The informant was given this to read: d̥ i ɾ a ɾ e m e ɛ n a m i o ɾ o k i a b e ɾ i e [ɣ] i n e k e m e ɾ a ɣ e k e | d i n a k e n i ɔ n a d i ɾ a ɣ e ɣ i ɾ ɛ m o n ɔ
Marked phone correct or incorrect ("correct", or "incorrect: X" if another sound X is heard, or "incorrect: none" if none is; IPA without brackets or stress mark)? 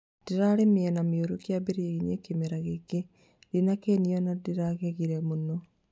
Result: correct